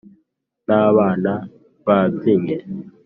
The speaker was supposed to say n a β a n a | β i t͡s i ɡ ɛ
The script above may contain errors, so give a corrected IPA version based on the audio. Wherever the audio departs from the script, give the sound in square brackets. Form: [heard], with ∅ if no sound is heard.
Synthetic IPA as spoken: n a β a n a | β [a] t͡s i [ŋ] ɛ